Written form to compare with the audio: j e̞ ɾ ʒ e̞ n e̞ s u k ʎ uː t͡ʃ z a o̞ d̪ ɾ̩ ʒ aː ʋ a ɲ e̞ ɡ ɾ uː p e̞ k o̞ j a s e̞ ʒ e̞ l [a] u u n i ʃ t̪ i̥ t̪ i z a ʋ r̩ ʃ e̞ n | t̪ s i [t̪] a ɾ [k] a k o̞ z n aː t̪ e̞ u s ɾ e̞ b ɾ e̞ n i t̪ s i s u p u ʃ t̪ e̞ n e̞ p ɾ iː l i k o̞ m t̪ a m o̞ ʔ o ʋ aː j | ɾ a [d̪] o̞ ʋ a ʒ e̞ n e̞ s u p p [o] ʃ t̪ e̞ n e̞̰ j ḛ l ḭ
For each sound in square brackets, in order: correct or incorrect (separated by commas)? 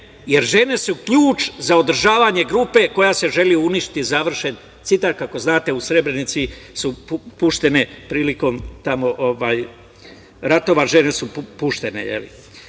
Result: incorrect, correct, correct, incorrect, incorrect